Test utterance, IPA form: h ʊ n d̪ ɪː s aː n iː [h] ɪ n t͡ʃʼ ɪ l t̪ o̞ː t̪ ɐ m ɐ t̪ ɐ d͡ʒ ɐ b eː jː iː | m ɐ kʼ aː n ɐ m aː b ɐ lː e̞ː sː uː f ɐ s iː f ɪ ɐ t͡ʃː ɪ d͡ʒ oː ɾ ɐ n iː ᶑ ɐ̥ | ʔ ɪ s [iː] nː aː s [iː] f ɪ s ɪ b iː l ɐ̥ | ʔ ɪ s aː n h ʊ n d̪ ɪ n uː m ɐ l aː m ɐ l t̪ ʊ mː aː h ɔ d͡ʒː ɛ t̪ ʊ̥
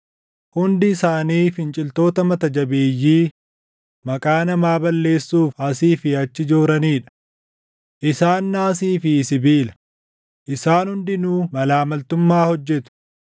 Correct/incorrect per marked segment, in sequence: incorrect: f, incorrect: aː, correct

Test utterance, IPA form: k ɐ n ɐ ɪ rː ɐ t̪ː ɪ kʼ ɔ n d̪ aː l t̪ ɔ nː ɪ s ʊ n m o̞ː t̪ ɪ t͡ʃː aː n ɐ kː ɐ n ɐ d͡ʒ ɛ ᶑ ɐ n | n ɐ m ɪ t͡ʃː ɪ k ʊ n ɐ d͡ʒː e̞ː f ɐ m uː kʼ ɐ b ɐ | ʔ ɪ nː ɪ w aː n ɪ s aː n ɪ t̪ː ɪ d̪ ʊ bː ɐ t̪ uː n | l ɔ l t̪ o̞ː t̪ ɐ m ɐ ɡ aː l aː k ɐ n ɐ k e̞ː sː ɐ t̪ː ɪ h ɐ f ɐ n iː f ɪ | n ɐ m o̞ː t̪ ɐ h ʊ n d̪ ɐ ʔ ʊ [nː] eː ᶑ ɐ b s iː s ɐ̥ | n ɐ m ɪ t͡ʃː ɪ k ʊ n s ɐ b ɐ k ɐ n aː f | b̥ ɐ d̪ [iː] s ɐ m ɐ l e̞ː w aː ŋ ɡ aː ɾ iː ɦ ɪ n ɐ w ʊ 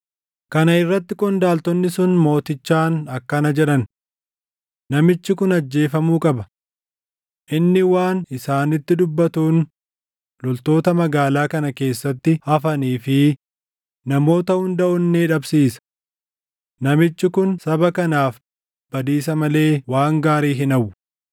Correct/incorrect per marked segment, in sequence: correct, correct

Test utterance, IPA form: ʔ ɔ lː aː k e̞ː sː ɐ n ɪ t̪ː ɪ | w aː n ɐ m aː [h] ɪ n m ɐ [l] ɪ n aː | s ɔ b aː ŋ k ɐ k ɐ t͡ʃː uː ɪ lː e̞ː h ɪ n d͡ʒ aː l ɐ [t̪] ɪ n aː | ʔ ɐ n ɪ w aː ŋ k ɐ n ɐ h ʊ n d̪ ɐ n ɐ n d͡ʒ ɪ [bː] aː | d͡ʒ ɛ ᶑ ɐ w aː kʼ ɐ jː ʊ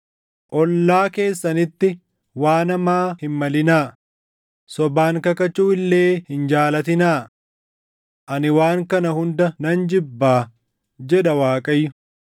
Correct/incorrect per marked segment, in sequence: correct, correct, correct, correct

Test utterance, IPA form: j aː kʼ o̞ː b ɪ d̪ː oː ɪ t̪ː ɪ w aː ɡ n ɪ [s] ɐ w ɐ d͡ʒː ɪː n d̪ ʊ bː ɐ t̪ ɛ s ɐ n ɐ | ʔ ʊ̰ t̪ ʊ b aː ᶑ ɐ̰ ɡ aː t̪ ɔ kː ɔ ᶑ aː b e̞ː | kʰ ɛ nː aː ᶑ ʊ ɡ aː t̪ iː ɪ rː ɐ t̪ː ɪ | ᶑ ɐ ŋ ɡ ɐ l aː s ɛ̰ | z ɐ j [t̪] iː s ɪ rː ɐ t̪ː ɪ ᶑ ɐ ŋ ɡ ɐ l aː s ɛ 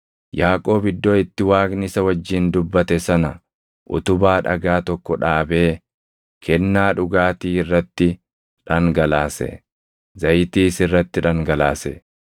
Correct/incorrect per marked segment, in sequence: correct, correct

